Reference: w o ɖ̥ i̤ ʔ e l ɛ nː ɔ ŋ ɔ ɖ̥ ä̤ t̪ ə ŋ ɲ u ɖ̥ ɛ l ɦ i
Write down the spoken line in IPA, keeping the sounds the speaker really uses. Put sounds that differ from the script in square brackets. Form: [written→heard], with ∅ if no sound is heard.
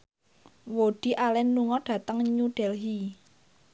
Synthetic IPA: w o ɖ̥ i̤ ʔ [e→a] l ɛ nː [ɔ→u] ŋ ɔ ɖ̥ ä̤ t̪ ə ŋ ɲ u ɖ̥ ɛ l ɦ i